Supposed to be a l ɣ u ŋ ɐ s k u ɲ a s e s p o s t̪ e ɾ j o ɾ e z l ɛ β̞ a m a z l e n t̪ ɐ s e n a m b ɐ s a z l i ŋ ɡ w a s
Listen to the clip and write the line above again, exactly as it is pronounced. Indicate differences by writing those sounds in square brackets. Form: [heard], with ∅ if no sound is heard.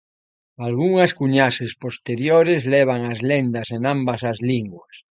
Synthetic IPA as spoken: a l ɣ u ŋ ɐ s k u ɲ a s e s p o s t̪ e ɾ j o ɾ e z l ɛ β̞ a [ŋ] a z l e n [d̪] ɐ s e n a m b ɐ s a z l i ŋ ɡ w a s

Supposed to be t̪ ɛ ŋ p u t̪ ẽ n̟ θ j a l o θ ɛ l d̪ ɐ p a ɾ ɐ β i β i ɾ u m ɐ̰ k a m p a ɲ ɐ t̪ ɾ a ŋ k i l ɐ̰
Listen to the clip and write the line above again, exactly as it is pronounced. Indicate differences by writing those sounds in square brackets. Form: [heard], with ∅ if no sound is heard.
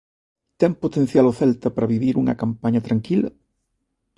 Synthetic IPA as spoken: t̪ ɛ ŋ p [o] t̪ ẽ n̟ θ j a l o θ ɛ l [t̪] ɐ p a ɾ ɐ β i β i ɾ u [ŋ] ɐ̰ k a m p a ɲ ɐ t̪ ɾ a ŋ k i l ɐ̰

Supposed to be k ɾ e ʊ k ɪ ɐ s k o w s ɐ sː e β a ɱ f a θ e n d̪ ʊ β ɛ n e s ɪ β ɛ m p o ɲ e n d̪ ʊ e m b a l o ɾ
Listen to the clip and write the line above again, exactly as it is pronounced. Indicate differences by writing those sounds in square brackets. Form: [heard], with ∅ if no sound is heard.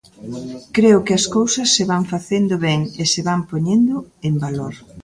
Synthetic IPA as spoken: k ɾ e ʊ k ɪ ɐ s k o w s ɐ sː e β a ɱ f a θ e n d̪ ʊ β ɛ [ŋ] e s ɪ β [a] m p o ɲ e n d̪ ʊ e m b a l o ɾ

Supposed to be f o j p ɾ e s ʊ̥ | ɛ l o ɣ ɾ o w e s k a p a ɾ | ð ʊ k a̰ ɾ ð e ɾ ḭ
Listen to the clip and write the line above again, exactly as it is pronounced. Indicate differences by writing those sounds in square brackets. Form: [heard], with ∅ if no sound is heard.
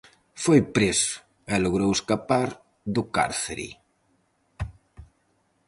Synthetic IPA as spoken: f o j p ɾ e s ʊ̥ | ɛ l o ɣ ɾ o w e s k a p a ɾ | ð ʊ k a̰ ɾ [θ] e ɾ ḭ

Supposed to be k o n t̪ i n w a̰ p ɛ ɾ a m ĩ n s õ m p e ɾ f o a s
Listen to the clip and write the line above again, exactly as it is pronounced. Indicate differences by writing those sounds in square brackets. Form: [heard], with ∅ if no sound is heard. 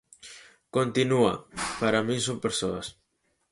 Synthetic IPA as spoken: k o n t̪ i n [u] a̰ p [a] ɾ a m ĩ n s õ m p e ɾ [s] o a s

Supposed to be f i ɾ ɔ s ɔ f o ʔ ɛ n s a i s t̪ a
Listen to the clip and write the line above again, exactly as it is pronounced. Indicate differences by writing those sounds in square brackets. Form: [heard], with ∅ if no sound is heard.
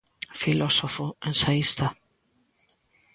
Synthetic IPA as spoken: f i [l] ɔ s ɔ f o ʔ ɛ n s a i s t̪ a

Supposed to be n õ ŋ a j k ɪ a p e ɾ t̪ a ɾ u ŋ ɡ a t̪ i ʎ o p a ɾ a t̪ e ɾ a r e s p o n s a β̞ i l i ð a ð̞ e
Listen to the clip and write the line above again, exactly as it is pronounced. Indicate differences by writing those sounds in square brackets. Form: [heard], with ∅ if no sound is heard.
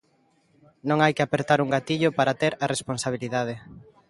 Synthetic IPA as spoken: n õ ŋ a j k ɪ a p e ɾ t̪ a ɾ u ŋ ɡ a t̪ i ʎ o p a ɾ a t̪ e ɾ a r e s p o n s a β̞ i l i ð a ð̞ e

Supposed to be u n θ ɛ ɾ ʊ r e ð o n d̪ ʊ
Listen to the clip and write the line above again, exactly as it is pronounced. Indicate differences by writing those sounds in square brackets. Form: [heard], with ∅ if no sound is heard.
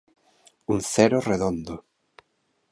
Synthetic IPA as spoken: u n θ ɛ ɾ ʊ r e ð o n d̪ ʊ

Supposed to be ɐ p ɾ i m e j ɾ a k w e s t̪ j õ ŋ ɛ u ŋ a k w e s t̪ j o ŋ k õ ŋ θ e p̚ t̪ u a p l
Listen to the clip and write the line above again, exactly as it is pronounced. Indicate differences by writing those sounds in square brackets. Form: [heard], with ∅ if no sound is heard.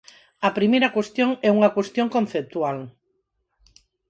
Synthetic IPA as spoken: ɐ p ɾ i m e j ɾ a k w e s t̪ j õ ŋ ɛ u ŋ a k w e s t̪ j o ŋ k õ [n] θ e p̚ t̪ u a [∅] l

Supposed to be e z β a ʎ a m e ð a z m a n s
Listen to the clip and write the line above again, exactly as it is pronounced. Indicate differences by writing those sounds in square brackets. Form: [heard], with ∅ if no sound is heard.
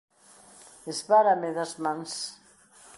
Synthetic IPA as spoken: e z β a [ɾ] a m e ð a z m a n s

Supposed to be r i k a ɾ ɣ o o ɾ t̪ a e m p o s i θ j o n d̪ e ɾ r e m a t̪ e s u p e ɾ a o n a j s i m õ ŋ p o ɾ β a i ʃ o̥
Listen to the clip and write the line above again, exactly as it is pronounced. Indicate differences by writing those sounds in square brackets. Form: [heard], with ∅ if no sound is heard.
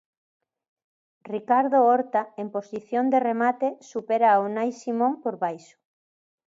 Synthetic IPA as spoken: r i k a ɾ [ð] o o ɾ t̪ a e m p o s i θ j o n d̪ e [∅] r e m a t̪ e s u p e ɾ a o n a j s i m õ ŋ p o ɾ β a [j] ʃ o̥

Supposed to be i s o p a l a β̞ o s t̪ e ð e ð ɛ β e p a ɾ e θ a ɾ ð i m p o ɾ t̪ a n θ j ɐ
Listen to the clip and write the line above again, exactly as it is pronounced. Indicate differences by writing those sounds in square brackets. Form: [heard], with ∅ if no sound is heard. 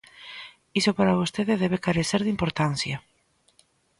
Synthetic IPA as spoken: i s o p a [ɾ] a β̞ o s t̪ e ð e ð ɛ β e [k] a ɾ e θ [e] ɾ ð i m p o ɾ t̪ a n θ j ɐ

